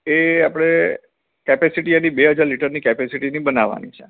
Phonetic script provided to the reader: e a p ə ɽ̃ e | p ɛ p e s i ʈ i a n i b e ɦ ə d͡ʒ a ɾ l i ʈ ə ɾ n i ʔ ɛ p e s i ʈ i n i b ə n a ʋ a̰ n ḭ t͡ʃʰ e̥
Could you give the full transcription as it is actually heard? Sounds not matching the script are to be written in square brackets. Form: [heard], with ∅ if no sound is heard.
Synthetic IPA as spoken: e a p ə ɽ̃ e | [k] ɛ p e s i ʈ i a n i b e ɦ ə d͡ʒ a ɾ l i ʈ ə ɾ n i [k] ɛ p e s i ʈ i n i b ə n a ʋ a̰ n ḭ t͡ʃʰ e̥